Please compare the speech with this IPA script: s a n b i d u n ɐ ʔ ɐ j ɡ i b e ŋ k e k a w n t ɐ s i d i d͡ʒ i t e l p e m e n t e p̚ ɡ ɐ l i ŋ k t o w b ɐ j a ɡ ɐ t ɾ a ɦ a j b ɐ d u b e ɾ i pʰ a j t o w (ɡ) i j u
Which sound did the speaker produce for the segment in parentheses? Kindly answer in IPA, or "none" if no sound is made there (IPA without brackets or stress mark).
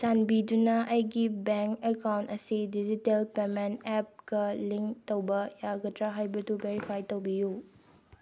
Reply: b